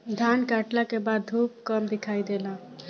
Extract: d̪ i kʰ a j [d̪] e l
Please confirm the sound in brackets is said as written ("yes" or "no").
yes